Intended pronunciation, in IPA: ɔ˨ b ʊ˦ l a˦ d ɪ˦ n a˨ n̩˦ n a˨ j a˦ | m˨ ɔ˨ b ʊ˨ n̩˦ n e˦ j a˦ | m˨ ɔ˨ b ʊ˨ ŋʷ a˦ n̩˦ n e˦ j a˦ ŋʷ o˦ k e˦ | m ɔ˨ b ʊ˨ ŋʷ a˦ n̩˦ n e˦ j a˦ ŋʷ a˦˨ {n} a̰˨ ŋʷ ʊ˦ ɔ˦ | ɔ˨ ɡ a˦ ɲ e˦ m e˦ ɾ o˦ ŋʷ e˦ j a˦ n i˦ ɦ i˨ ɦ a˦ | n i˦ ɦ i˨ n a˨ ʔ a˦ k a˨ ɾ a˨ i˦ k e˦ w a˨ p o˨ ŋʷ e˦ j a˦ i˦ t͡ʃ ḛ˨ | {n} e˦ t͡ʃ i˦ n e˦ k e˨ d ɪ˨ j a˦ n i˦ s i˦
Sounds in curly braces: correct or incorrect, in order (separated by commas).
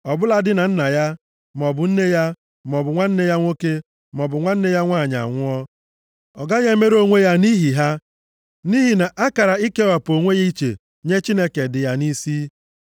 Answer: incorrect, incorrect